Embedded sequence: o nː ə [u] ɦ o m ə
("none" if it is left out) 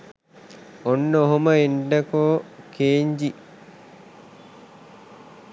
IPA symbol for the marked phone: o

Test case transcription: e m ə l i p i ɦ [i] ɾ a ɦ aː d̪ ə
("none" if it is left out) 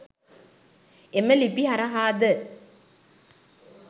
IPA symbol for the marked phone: a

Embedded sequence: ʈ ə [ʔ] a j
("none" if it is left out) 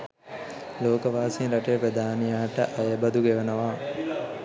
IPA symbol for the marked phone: ʔ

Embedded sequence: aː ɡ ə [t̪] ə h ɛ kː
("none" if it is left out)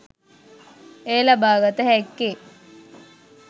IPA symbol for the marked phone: t̪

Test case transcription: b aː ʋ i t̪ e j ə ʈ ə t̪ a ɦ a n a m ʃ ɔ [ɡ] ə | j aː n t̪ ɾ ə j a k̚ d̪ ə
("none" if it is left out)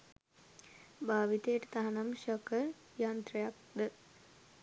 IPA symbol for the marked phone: k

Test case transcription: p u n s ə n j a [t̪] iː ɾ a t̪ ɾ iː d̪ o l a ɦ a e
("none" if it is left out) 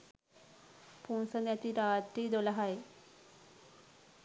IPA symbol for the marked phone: t̪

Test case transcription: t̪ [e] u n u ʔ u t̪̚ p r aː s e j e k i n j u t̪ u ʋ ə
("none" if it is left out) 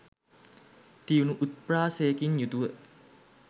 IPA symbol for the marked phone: i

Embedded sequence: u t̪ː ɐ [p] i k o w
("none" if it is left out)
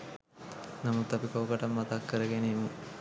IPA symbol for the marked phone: p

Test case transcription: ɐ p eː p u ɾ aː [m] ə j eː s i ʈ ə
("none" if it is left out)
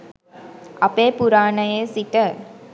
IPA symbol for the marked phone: n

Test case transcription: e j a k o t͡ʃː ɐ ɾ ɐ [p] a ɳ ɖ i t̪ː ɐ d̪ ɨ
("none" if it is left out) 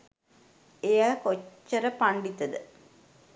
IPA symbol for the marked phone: p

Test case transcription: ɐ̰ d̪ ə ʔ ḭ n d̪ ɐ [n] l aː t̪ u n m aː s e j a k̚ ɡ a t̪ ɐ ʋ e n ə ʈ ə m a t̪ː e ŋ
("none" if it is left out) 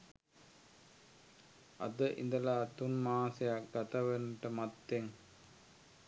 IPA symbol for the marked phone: none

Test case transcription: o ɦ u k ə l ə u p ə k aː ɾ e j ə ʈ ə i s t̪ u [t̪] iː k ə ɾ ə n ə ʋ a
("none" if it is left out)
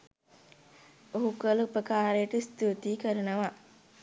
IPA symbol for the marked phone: t̪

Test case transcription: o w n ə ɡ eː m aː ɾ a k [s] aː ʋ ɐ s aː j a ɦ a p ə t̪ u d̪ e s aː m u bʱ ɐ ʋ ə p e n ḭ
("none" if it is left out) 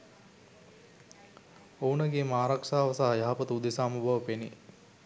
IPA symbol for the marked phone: ʂ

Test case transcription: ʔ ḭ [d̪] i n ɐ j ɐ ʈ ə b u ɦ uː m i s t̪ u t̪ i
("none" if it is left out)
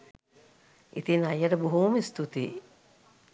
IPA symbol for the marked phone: t̪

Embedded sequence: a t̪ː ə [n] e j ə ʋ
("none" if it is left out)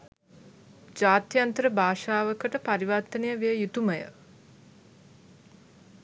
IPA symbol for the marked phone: n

